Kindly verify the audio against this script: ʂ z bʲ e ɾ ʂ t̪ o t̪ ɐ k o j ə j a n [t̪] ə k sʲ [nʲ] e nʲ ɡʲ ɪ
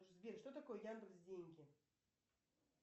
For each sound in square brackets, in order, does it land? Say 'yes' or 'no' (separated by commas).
no, no